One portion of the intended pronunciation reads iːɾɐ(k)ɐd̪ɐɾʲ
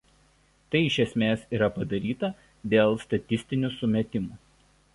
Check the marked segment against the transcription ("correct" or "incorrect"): incorrect